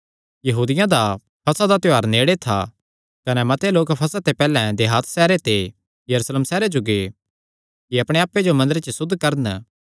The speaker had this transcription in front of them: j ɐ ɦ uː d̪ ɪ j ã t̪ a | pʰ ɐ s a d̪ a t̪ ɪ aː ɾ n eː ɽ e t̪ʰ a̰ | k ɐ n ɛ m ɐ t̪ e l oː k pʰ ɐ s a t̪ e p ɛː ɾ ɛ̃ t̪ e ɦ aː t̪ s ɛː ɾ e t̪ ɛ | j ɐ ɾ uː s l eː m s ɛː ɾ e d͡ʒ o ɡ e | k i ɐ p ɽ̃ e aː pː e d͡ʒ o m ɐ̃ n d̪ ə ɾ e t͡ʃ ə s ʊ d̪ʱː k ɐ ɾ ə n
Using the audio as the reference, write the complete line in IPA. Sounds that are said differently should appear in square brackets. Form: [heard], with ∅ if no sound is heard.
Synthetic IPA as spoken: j ɐ ɦ uː d̪ ɪ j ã [d̪] a | pʰ ɐ s a d̪ a t̪ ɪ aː ɾ n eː ɽ e t̪ʰ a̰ | k ɐ n ɛ m ɐ t̪ e l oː k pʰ ɐ s a t̪ e p ɛː [l] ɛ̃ [d̪] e ɦ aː t̪ s ɛː ɾ e t̪ [e] | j ɐ ɾ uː s l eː m s ɛː ɾ e d͡ʒ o ɡ e | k i ɐ p ɽ̃ e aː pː e d͡ʒ o m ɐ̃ n d̪ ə ɾ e t͡ʃ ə s ʊ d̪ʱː k ɐ ɾ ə n